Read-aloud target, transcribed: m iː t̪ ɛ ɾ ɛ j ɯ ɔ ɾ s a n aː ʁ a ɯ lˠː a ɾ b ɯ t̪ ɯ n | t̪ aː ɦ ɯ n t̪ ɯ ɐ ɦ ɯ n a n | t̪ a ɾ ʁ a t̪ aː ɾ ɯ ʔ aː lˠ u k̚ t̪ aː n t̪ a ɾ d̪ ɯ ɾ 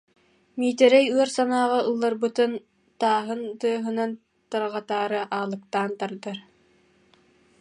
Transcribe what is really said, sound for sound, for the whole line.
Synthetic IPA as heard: m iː t̪ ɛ ɾ ɛ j ɯ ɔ ɾ s a n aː ʁ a ɯ lˠː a ɾ b ɯ t̪ ɯ n | t̪ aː ɦ ɯ n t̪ ɯ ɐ ɦ ɯ n a n | t̪ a ɾ ʁ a t̪ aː ɾ ɯ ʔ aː lˠ ɯ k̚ t̪ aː n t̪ a ɾ d̪ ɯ ɾ